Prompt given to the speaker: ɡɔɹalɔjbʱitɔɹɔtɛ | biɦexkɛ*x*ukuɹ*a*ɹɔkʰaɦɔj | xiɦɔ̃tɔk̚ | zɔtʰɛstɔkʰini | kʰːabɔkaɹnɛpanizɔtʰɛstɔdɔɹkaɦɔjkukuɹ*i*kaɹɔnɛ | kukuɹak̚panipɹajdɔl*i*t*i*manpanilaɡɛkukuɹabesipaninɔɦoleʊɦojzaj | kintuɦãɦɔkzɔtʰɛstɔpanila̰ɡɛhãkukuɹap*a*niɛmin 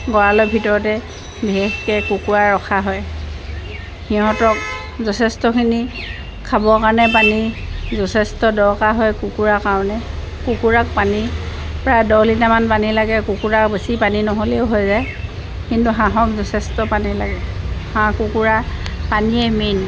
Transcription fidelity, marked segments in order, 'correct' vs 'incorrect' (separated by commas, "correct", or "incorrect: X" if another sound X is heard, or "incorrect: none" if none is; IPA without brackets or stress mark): incorrect: k, correct, incorrect: a, correct, incorrect: a, correct